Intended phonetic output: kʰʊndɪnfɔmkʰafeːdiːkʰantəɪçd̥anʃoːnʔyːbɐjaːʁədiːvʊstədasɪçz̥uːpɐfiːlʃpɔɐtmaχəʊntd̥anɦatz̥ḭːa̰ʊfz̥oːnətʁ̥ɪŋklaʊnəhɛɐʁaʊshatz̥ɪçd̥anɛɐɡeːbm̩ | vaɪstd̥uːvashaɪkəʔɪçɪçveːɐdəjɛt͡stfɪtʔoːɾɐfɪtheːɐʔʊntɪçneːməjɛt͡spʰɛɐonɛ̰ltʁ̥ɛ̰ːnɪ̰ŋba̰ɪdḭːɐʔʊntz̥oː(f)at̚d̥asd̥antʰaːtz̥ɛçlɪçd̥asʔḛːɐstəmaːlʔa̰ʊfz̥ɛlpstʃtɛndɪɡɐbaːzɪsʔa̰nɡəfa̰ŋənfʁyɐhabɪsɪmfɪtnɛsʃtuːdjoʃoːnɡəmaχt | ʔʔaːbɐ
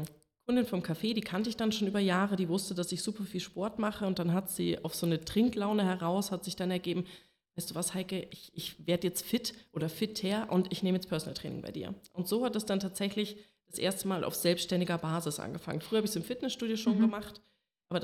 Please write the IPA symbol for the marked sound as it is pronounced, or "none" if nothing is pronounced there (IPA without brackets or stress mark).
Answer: h